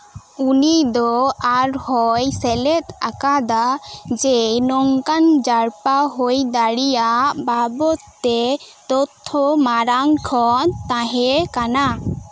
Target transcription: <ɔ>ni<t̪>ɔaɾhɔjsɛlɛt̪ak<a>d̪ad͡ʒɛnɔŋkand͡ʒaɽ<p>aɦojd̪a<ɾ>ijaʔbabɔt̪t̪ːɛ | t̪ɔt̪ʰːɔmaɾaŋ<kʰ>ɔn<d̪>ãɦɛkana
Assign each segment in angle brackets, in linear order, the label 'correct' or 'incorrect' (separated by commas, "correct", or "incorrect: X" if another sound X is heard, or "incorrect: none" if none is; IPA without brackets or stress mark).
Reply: incorrect: u, incorrect: d̪, correct, correct, incorrect: ɽ, correct, incorrect: t̪